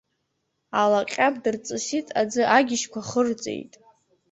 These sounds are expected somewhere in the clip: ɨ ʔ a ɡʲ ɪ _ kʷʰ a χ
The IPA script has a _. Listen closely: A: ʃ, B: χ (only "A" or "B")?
A